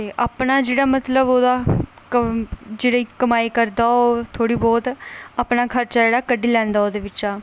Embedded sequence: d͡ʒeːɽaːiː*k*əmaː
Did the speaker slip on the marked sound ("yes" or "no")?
no